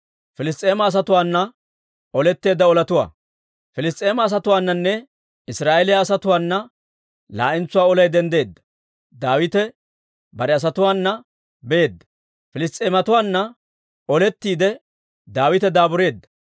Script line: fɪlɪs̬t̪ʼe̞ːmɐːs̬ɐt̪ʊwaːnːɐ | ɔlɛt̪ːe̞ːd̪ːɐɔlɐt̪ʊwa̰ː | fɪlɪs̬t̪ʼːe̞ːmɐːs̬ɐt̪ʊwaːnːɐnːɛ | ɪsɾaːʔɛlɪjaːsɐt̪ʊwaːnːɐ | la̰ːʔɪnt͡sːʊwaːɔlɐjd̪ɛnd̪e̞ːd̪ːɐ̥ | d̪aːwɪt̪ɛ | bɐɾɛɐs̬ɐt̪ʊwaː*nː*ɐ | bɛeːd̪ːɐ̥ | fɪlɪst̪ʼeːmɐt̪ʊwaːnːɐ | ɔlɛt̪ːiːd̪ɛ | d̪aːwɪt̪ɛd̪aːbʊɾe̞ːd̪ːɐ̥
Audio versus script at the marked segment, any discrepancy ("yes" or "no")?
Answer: no